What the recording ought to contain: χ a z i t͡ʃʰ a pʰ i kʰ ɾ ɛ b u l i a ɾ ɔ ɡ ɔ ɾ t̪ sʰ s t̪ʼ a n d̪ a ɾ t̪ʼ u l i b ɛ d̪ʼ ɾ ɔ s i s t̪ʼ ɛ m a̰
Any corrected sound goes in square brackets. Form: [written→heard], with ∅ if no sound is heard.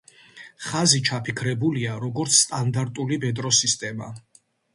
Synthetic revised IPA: χ a z i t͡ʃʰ a pʰ i kʰ ɾ ɛ b u l i a ɾ ɔ ɡ ɔ ɾ t̪ sʰ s t̪ʼ a n d̪ a ɾ t̪ʼ u l i b ɛ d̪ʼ ɾ ɔ s i s t̪ʼ ɛ m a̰